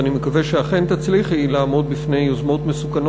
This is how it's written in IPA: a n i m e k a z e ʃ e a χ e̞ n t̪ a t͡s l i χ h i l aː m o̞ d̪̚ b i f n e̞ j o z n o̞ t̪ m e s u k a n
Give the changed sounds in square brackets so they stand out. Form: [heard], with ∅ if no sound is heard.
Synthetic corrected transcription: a n i m e k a [v] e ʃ e a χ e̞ n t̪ a t͡s l i χ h i l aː m o̞ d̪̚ b i f n e̞ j o z [m] o̞ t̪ m e s u k a n